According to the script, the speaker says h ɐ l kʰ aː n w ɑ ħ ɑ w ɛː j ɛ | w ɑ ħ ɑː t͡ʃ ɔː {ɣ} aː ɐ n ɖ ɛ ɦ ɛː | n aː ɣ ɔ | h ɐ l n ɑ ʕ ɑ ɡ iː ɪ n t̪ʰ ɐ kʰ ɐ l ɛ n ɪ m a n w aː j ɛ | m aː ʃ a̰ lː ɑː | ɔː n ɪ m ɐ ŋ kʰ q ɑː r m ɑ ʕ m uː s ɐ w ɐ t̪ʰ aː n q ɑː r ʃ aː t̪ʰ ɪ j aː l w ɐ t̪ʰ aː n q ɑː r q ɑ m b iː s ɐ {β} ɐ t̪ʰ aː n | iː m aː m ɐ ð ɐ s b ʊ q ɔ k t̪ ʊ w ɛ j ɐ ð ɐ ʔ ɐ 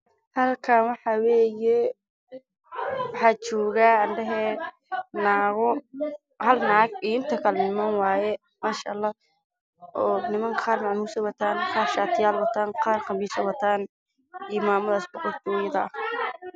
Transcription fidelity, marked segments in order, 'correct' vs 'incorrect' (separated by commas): correct, incorrect